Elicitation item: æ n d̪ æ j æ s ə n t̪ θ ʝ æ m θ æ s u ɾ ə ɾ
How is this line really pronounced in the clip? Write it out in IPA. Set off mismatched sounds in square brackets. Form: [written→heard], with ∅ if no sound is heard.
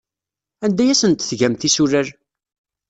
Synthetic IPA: æ n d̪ æ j æ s ə n t̪ θ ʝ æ m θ [æ→i] s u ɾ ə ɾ